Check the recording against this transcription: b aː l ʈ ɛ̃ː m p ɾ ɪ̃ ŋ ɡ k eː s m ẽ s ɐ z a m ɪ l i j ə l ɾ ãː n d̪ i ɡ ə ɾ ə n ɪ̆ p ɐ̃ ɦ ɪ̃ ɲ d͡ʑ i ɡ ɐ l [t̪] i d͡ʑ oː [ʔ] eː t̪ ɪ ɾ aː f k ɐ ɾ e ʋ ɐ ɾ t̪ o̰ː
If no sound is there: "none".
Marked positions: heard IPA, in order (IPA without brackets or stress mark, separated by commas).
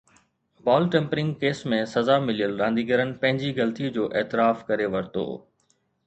t̪, ʔ